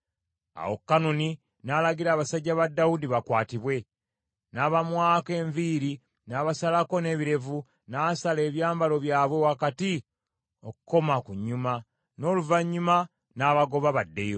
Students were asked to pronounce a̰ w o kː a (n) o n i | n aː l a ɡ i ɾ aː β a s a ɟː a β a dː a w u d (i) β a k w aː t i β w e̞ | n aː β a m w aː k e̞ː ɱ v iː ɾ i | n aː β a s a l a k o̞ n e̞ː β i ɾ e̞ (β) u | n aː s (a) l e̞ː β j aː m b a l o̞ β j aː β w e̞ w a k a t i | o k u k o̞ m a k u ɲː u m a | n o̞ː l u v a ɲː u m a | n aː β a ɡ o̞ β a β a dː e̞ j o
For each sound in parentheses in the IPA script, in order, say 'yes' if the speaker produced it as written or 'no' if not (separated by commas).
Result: yes, yes, no, yes